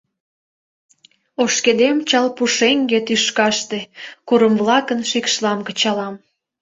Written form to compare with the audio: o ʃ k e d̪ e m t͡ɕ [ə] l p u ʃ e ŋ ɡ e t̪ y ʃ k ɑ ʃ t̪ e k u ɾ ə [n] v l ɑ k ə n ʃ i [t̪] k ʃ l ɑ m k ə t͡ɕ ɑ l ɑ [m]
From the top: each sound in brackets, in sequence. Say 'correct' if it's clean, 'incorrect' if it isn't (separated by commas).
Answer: incorrect, incorrect, incorrect, correct